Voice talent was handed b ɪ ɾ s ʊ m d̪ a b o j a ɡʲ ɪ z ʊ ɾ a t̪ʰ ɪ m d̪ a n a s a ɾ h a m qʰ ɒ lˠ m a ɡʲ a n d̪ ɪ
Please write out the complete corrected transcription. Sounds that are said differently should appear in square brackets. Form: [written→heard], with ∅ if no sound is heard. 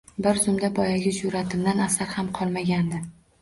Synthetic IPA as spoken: b ɪ ɾ [s→z] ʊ m d̪ a b [o→ɒ] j a ɡʲ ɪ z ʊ ɾ a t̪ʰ ɪ m d̪ a n a s a ɾ h a m qʰ ɒ lˠ m a ɡʲ a n d̪ ɪ